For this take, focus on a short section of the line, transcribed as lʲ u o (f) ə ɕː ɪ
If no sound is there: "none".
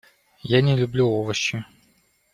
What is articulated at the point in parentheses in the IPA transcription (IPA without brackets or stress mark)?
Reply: v